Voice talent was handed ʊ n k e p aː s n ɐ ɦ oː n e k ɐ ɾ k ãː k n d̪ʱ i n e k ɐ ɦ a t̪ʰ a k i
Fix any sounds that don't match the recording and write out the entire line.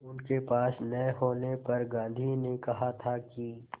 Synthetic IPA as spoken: ʊ n k e p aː s n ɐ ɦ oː n e p ɐ ɾ ɡ ãː n d̪ʱ i n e k ɐ ɦ a t̪ʰ a k i

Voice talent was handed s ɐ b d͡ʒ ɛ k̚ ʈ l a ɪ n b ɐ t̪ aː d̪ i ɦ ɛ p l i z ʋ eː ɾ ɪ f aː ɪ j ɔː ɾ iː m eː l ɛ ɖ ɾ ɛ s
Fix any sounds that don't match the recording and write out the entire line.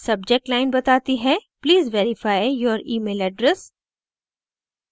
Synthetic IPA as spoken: s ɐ b d͡ʒ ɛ k̚ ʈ l a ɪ n b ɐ t̪ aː t̪ i ɦ ɛ p l iː z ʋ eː ɾ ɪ f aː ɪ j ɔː ɾ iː m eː l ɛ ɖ ɾ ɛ s

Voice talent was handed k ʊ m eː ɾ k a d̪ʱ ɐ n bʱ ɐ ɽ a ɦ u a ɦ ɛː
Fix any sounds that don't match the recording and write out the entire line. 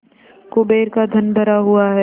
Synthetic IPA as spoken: k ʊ b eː ɾ k a d̪ʱ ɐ n bʱ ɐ ɾ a ɦ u a ɦ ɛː

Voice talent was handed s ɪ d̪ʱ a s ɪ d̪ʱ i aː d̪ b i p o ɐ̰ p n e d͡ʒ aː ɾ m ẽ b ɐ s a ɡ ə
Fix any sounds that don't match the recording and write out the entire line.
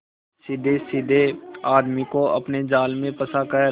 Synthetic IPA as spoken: s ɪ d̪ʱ e s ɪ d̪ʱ e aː d̪ m i k o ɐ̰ p n e d͡ʒ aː l m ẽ p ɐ s a k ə

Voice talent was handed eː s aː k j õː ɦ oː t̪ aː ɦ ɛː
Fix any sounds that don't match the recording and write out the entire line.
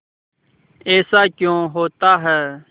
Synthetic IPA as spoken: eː s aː k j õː ɦ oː t̪ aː ɦ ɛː

